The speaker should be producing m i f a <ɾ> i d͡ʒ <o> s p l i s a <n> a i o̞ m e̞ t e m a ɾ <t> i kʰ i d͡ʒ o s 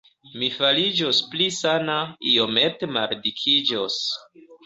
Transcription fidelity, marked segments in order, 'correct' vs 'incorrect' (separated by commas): incorrect, correct, correct, incorrect